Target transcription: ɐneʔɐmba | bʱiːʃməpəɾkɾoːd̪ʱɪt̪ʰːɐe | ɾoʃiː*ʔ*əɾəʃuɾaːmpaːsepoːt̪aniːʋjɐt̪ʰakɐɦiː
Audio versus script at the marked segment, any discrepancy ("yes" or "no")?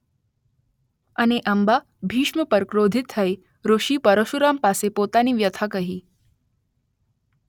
yes